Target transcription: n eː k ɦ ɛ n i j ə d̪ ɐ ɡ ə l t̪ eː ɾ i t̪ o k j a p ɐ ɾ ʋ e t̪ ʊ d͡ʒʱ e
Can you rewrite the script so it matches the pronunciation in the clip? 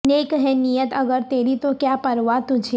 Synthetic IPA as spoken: n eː k ɦ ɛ n i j ə t̪ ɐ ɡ ə ɾ t̪ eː ɾ i t̪ o k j a p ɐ ɾ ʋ a t̪ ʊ d͡ʒʱ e